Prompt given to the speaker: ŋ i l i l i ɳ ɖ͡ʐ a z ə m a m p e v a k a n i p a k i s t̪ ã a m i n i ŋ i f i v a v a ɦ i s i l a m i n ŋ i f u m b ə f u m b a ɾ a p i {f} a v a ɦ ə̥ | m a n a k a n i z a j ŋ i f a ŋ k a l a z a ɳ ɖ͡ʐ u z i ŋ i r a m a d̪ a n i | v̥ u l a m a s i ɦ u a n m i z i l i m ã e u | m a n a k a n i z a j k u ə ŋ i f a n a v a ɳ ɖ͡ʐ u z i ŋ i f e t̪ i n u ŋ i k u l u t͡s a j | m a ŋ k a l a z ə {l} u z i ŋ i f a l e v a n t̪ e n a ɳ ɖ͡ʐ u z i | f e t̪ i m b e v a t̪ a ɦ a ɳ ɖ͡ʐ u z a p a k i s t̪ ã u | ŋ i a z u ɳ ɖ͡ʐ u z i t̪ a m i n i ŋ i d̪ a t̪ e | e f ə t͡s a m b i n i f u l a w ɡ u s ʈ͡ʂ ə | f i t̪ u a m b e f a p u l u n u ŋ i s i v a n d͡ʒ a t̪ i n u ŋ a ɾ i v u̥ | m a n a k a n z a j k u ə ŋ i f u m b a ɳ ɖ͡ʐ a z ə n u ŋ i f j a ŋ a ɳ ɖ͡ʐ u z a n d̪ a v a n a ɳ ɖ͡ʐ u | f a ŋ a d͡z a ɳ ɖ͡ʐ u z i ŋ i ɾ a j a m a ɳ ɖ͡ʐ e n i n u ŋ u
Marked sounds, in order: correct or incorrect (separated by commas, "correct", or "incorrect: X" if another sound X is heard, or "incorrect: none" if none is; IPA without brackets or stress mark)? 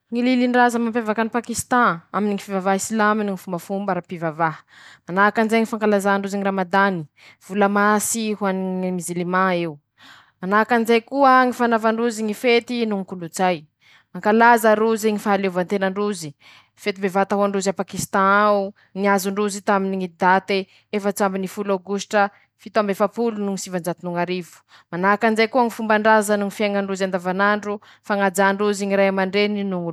incorrect: v, incorrect: ɾ